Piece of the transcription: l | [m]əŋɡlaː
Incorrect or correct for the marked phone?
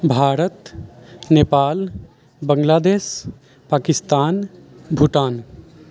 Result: incorrect: b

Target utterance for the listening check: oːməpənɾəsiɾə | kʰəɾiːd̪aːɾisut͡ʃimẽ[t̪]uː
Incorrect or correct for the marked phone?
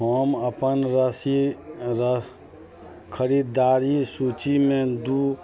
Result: incorrect: d̪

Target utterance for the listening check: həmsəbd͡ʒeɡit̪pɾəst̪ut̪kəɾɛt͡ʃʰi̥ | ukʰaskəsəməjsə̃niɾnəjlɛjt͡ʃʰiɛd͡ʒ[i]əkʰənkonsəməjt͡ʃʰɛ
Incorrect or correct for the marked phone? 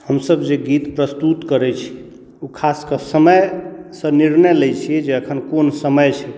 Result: incorrect: e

